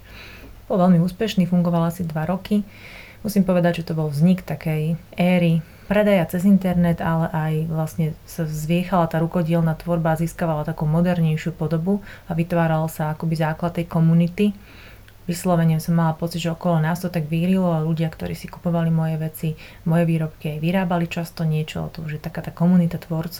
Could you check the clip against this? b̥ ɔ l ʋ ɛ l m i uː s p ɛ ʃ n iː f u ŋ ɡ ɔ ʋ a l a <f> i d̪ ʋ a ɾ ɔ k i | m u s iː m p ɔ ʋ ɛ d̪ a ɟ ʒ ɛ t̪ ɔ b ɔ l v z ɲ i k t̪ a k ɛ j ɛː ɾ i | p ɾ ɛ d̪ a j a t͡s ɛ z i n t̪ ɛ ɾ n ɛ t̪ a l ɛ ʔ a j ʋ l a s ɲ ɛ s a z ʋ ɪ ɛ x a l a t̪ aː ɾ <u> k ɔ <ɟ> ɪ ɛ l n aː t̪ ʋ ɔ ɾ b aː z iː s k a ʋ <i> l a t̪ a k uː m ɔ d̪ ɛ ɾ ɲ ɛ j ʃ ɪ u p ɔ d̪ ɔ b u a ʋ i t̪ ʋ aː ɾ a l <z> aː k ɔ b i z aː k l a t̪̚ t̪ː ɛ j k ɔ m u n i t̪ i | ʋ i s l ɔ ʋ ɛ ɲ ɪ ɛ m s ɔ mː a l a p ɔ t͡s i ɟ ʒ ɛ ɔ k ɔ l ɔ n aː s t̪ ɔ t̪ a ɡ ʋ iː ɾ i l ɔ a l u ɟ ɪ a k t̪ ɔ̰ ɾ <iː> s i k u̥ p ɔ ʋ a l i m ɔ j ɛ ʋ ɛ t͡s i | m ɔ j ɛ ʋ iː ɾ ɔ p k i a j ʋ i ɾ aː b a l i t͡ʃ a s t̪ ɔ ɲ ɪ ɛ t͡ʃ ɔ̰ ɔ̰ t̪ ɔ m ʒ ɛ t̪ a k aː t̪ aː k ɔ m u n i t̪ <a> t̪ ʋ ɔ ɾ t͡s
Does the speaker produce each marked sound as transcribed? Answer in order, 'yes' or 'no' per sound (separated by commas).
no, yes, yes, no, no, yes, yes